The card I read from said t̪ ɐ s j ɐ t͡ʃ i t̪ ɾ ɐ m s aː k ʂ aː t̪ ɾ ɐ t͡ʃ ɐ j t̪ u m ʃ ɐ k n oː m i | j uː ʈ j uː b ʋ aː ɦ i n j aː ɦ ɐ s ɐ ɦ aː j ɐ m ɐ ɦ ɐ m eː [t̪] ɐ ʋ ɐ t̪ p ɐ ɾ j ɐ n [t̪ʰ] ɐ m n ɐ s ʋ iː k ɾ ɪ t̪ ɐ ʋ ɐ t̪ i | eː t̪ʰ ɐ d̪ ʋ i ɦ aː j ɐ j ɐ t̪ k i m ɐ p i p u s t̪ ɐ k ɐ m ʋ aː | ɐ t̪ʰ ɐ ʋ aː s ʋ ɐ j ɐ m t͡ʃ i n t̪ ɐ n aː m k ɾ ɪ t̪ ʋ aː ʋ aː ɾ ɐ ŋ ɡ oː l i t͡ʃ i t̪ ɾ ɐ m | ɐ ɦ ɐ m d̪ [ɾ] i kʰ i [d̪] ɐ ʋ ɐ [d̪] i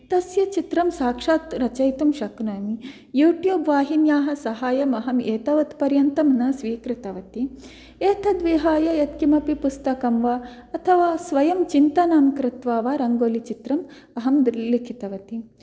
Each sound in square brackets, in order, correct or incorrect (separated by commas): correct, incorrect, incorrect, incorrect, incorrect